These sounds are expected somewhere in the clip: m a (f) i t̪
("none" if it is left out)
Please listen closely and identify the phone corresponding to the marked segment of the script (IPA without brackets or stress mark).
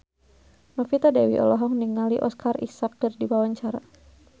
f